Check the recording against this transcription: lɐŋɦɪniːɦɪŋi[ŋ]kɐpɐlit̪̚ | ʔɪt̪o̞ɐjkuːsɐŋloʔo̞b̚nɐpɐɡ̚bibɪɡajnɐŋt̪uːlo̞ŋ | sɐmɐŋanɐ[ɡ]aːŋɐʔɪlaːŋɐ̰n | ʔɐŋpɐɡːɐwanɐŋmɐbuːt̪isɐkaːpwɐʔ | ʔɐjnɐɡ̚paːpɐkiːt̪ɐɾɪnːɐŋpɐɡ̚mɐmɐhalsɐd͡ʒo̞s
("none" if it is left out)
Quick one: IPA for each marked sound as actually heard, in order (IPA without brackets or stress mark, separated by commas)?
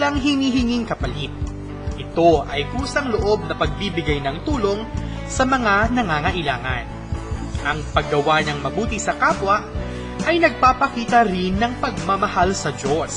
ŋ, ŋ